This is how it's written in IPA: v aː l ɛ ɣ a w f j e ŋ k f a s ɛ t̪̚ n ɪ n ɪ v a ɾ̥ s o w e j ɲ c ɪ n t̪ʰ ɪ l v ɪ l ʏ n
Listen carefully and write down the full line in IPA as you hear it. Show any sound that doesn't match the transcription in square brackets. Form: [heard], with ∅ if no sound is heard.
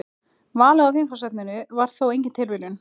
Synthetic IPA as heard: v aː l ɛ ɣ a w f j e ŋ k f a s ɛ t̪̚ n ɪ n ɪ v a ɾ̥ [θ] o w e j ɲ c ɪ n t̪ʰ ɪ l v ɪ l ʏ n